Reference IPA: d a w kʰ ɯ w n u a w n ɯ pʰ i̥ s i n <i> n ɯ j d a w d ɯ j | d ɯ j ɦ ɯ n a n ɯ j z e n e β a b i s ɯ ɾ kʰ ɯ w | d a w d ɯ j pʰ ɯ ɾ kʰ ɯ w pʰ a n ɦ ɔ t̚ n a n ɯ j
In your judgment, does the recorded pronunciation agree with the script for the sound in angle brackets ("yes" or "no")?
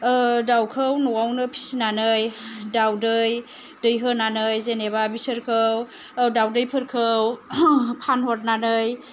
no